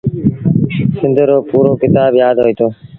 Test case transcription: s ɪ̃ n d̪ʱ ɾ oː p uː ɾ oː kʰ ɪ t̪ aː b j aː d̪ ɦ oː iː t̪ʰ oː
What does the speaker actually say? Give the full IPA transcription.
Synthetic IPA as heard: s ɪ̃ n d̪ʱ ɾ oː p uː ɾ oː k ɪ t̪ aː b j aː d̪ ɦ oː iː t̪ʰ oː